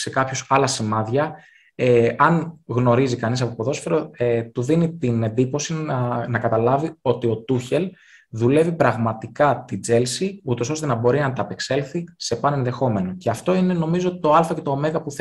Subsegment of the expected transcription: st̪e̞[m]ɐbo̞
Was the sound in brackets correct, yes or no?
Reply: no